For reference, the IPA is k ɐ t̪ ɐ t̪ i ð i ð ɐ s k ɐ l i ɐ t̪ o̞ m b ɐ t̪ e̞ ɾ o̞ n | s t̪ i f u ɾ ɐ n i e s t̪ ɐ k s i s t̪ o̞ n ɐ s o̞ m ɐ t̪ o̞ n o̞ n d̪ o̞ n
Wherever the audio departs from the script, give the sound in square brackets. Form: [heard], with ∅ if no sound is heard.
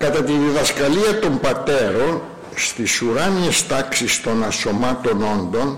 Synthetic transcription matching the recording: k ɐ t̪ ɐ t̪ i ð i ð ɐ s k ɐ l i ɐ t̪ o̞ m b ɐ t̪ e̞ ɾ o̞ n | s t̪ i [s] u ɾ ɐ n i e s t̪ ɐ k s i s t̪ o̞ n ɐ s o̞ m ɐ t̪ o̞ n o̞ n d̪ o̞ n